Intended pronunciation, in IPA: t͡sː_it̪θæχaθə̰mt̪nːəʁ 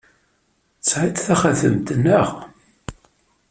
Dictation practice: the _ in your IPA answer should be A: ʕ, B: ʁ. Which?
A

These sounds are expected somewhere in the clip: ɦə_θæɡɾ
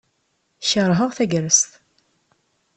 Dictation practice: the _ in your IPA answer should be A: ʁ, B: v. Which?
A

